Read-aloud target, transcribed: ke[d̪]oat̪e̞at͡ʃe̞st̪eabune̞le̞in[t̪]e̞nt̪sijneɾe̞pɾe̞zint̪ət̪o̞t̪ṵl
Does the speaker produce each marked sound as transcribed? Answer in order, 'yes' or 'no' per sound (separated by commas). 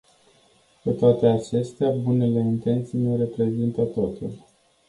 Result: no, yes